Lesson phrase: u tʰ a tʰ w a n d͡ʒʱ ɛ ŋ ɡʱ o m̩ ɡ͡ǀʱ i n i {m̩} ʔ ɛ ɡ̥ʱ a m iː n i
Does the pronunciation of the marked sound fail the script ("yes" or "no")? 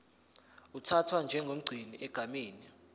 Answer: yes